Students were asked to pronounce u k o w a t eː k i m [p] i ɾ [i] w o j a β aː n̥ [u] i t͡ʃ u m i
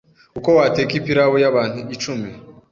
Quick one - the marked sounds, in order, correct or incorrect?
correct, incorrect, correct

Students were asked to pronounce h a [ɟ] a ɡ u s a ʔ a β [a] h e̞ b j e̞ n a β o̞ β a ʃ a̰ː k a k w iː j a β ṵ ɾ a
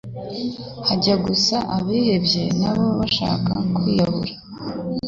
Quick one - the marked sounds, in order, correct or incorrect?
correct, incorrect

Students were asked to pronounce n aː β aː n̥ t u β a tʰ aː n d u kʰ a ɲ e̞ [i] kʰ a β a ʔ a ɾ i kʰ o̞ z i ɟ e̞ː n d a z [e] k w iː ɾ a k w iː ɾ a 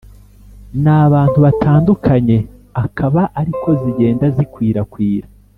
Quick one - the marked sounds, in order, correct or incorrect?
incorrect, incorrect

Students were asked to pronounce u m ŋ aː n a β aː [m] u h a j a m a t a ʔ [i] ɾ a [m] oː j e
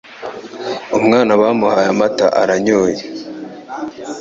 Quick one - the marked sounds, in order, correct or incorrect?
correct, incorrect, incorrect

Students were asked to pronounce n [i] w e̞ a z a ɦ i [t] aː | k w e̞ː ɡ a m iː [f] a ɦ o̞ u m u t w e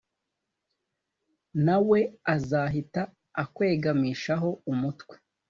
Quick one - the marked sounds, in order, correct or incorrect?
incorrect, correct, incorrect

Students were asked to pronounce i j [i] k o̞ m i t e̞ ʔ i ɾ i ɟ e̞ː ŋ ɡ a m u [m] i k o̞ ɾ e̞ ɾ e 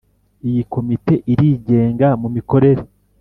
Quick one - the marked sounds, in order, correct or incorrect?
correct, correct

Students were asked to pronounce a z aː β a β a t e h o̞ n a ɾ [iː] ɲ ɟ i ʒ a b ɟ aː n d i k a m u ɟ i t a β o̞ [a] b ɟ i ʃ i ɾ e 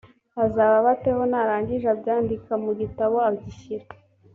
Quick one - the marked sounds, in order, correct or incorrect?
incorrect, correct

